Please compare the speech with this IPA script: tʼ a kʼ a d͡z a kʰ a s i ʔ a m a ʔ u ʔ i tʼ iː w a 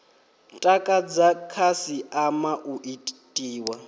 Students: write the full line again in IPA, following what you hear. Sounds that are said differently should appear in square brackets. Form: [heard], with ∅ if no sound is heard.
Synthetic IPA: tʼ a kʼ a d͡z a kʰ a s i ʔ a m a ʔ u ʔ i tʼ iː w a